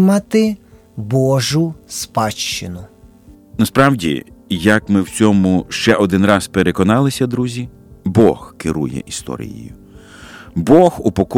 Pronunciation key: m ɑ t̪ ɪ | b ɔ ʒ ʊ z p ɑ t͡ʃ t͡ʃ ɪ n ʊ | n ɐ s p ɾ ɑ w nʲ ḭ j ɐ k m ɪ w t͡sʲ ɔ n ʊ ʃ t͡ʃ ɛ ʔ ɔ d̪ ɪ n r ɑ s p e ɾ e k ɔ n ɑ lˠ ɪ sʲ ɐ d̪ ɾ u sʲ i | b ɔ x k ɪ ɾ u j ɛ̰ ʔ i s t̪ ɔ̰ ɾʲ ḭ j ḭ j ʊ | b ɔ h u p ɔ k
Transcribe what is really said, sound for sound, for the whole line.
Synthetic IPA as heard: m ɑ t̪ ɪ | b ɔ ʒ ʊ s p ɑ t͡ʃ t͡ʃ ɪ n ʊ | n ɐ s p ɾ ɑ w dʲ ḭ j ɐ k m ɪ w t͡sʲ ɔ m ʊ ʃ t͡ʃ ɛ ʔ ɔ d̪ ɪ n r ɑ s p e ɾ e k ɔ n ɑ lˠ ɪ sʲ ɐ d̪ ɾ u zʲ i | b ɔ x k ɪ ɾ u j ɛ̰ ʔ i s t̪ ɔ̰ ɾʲ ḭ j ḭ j ʊ | b ɔ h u p ɔ k